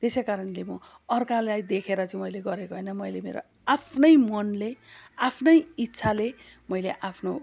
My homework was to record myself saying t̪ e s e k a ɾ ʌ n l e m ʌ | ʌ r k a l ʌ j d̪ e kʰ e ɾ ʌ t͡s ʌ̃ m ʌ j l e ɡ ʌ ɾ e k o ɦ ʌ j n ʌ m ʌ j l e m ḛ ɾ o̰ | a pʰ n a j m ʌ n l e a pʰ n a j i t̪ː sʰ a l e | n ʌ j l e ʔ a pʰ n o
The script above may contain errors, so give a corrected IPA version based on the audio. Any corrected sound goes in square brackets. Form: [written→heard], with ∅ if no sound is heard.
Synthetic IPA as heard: t̪ e s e k a ɾ ʌ n l e m ʌ | ʌ r k a l [ʌ→a] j d̪ e kʰ e ɾ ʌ t͡s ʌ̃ m ʌ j l e ɡ ʌ ɾ e k o ɦ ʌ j n ʌ m ʌ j l e m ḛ ɾ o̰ | a pʰ n [a→ʌ] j m ʌ n l e a pʰ n [a→ʌ] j i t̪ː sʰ a l e | [n→m] ʌ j l e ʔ a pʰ n o

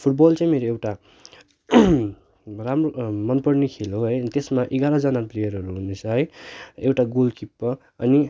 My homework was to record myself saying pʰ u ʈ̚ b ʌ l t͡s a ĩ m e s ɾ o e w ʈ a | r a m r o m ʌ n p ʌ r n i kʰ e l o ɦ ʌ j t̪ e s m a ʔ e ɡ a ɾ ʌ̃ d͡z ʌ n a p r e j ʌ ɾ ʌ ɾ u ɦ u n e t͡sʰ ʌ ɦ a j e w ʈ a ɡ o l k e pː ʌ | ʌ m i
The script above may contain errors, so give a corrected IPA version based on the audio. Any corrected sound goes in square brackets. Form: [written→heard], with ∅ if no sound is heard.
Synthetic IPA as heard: pʰ u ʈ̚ b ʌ l t͡s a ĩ m e [s→∅] ɾ o e w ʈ a | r a m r o m ʌ n p ʌ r n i kʰ e l o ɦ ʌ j t̪ e s m a ʔ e ɡ a ɾ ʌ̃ d͡z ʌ n a p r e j ʌ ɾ ʌ ɾ u ɦ u n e t͡sʰ ʌ ɦ [a→ʌ] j e w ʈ a ɡ o l k [e→i] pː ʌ | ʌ [m→n] i

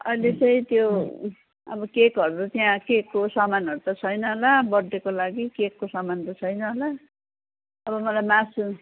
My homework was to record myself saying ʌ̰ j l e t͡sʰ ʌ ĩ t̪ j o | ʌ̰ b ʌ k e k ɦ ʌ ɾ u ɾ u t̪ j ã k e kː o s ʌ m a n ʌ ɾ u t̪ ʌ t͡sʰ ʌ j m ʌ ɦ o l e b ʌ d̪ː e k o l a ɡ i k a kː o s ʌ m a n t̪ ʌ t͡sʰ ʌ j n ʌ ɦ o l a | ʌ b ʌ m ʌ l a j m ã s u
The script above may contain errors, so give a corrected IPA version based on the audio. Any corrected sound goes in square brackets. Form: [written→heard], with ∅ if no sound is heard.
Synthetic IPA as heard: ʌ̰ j l e [t͡sʰ→t͡s] ʌ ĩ t̪ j o | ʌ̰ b ʌ k e k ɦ ʌ ɾ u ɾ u t̪ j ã k e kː o s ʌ m a n ʌ ɾ u t̪ ʌ t͡sʰ ʌ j [m→n] ʌ ɦ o l [e→a] b ʌ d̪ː e k o l a ɡ i k [a→e] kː o s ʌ m a n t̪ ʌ t͡sʰ ʌ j n ʌ ɦ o l a | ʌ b ʌ m ʌ l a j m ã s u

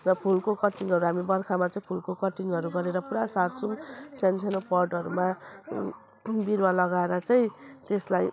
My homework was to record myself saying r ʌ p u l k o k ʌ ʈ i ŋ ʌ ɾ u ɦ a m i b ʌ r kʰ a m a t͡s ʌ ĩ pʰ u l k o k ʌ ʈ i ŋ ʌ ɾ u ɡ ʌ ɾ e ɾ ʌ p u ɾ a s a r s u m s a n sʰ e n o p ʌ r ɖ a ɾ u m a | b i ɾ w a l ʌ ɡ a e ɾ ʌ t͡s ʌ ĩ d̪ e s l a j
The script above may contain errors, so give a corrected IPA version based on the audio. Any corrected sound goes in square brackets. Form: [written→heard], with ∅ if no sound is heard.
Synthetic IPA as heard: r ʌ [p→pʰ] u l k o k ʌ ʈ i ŋ ʌ ɾ u ɦ a m i b ʌ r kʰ a m a t͡s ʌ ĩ pʰ u l k o k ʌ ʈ i ŋ ʌ ɾ u ɡ ʌ ɾ e ɾ ʌ p u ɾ a s a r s u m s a n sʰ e n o p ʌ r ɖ [a→ʌ] ɾ u m a | b i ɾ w a l ʌ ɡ a e ɾ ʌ t͡s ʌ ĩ [d̪→t̪] e s l a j

